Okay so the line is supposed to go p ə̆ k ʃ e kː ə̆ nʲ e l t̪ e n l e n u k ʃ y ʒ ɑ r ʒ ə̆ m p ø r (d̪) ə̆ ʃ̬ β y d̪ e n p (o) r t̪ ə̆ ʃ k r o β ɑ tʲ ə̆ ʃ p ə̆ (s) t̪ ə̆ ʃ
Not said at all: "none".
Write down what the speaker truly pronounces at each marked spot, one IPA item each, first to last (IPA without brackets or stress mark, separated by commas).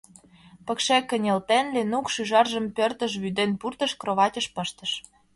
t̪, u, ʃ